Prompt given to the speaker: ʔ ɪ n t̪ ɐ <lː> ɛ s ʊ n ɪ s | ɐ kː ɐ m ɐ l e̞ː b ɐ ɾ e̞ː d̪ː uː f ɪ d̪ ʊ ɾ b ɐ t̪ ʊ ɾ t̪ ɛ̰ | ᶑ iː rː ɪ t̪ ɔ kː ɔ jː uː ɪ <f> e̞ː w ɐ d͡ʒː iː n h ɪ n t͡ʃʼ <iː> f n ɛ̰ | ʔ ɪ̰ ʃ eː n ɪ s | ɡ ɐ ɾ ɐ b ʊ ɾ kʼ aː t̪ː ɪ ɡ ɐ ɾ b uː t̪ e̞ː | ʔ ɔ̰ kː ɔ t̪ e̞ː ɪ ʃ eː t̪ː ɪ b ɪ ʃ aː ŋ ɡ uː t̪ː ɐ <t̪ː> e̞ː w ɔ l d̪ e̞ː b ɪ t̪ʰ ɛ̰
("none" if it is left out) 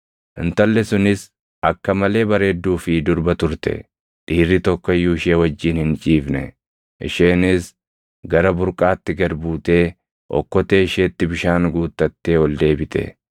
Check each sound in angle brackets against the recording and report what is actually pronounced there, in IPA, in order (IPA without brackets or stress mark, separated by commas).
lː, ʃ, iː, t̪ː